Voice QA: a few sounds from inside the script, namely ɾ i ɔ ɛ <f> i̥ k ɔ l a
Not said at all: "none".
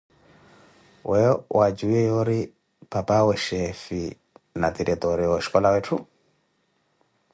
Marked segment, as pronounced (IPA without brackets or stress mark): ʃ